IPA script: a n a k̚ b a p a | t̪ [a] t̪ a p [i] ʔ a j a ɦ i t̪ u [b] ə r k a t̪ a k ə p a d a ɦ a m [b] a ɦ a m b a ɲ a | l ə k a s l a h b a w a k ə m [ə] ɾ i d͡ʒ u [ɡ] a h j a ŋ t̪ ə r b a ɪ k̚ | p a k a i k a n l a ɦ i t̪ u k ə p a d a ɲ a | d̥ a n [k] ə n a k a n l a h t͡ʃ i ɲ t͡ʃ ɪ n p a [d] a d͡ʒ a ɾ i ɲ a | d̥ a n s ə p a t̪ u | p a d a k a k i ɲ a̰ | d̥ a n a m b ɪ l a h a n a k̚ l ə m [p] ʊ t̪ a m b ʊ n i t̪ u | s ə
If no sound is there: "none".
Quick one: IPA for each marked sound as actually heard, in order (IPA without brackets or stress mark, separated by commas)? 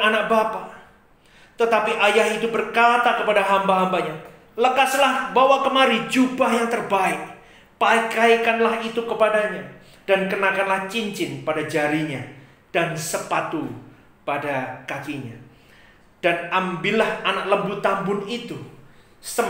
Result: ə, i, b, b, a, b, k, d, b